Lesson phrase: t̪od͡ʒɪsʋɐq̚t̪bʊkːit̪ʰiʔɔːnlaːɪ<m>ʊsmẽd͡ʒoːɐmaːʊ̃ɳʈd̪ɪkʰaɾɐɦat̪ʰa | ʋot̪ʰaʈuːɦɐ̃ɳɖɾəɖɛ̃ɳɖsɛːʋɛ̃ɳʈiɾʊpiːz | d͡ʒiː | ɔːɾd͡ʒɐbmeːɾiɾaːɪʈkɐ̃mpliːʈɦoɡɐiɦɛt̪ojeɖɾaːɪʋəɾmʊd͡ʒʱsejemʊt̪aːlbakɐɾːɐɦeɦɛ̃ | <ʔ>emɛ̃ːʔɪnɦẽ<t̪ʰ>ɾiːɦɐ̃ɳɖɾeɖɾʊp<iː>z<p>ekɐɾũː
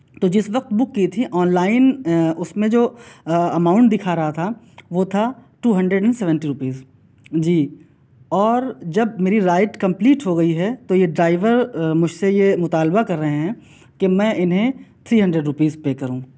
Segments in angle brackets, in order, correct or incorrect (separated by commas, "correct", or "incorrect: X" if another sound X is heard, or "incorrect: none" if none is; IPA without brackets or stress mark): incorrect: n, incorrect: k, correct, correct, correct